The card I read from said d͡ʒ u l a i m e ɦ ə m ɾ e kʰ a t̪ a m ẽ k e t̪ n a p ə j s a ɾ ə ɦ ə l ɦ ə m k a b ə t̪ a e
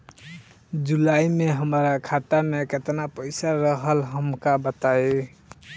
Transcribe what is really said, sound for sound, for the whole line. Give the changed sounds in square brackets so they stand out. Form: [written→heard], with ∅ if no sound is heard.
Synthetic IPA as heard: d͡ʒ u l a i m e ɦ ə m ɾ [e→a] kʰ a t̪ a m [ẽ→e] k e t̪ n a p ə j s a ɾ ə ɦ ə l ɦ ə m k a b ə t̪ a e